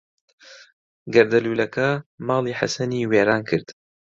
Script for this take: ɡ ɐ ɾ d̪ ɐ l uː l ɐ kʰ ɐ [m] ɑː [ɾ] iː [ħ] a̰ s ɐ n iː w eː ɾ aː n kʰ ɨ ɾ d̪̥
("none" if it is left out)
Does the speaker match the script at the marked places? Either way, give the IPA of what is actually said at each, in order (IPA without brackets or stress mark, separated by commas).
m, l, ħ